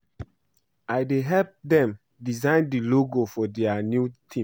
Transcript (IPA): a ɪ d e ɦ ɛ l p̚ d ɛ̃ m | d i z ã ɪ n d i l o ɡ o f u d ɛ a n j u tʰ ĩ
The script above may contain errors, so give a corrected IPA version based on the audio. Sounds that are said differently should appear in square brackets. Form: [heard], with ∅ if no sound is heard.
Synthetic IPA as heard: a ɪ d e ɦ ɛ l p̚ d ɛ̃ m | d i z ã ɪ n d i l o ɡ o f [ɔ] d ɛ a n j u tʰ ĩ